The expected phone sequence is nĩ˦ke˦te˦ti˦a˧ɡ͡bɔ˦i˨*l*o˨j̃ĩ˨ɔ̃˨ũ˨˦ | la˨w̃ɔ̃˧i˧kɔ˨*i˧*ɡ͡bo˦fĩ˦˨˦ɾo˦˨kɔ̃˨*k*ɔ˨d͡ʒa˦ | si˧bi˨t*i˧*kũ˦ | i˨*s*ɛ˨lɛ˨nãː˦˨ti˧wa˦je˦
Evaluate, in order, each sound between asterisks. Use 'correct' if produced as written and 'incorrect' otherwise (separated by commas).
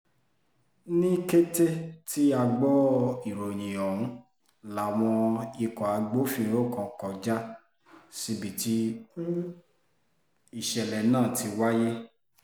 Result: incorrect, incorrect, correct, correct, incorrect